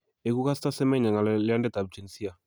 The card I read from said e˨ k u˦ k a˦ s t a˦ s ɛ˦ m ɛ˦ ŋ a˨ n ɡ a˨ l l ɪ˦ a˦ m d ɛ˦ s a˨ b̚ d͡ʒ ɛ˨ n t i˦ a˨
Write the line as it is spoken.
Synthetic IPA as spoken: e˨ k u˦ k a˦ s t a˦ s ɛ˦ m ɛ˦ ɲ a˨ ŋ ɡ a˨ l l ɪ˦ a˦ n d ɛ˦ t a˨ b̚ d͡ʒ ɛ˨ n s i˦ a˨